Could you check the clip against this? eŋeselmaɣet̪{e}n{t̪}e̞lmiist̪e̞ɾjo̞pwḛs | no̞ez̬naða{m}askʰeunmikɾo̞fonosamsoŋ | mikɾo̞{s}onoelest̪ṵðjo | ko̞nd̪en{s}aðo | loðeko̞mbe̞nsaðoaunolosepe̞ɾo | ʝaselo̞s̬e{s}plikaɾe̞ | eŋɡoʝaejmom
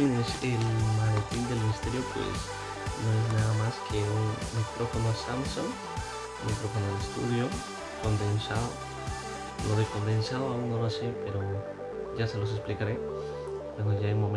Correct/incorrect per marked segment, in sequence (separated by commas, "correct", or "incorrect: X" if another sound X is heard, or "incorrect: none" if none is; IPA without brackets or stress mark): incorrect: i, incorrect: d̪, correct, incorrect: f, correct, correct